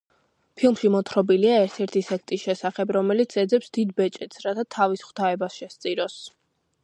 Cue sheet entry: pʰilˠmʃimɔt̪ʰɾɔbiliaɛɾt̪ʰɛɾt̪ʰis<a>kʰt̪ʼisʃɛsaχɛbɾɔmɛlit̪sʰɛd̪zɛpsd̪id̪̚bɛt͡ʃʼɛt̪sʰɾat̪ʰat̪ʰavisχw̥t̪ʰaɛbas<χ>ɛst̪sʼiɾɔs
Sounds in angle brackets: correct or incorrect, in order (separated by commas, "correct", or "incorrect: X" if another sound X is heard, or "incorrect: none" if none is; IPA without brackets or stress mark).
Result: incorrect: ɛ, incorrect: ʃ